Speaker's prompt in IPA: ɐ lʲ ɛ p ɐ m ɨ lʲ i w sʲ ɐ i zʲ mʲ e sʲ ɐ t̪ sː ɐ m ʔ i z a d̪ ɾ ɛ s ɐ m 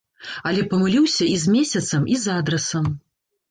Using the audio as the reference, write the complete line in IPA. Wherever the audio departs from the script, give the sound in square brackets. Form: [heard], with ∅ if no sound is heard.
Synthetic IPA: ɐ lʲ ɛ p ɐ m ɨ lʲ i w sʲ ɐ i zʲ mʲ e sʲ ɐ t̪ [s] ɐ m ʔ i z a d̪ ɾ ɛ s ɐ m